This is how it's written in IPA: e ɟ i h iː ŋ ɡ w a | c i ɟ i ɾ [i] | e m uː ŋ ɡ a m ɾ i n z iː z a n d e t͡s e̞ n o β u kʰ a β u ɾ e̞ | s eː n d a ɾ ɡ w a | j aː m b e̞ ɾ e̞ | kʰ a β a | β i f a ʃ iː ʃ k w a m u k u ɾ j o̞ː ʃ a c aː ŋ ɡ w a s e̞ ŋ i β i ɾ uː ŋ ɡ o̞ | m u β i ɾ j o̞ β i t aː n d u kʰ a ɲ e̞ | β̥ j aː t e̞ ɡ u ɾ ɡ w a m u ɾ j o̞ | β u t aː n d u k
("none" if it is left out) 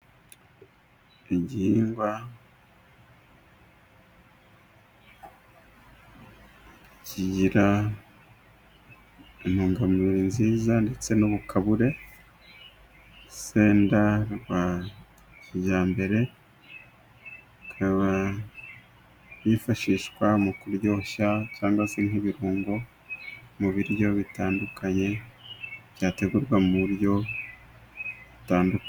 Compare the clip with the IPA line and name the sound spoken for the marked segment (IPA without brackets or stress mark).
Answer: a